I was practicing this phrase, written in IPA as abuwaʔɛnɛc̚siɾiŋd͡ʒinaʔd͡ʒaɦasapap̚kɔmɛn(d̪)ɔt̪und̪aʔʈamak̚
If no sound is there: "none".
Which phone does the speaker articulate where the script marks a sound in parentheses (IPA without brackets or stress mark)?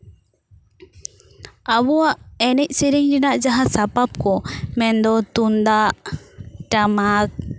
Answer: d̪